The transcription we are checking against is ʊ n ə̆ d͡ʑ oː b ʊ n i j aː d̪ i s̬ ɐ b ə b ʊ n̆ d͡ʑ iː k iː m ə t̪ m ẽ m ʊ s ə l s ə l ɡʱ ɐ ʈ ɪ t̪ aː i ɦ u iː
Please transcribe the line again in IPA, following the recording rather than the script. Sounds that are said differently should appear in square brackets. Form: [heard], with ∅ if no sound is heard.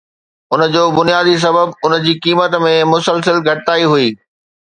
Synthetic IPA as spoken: ʊ n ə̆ d͡ʑ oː b ʊ n i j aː d̪ i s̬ ɐ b ə b ʊ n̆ d͡ʑ iː k iː m ə t̪ m ẽ m ʊ s ə l s ə l ɡʱ ɐ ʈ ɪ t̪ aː i ɦ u iː